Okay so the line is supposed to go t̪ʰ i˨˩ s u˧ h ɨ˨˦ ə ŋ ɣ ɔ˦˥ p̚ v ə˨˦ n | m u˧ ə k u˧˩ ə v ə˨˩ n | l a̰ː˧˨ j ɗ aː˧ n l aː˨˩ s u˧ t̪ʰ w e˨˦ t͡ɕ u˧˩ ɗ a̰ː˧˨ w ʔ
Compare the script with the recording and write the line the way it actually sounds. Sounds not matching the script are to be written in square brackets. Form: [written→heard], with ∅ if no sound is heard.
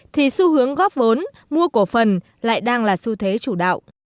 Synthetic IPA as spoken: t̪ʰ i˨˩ s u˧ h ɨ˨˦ ə ŋ ɣ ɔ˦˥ p̚ v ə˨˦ n | m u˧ ə k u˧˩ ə [v→f] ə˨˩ n | l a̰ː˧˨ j ɗ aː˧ [n→ŋ] l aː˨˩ s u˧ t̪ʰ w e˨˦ t͡ɕ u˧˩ ɗ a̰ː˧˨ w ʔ